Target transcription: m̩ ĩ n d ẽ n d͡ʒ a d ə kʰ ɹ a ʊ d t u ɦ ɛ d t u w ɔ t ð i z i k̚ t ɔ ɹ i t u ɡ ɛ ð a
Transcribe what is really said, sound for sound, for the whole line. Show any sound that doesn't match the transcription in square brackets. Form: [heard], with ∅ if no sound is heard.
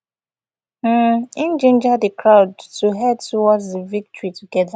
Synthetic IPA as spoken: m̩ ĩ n [d͡ʒ] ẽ n d͡ʒ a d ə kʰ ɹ a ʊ d t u ɦ ɛ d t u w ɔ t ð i [v] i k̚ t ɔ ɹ i t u ɡ ɛ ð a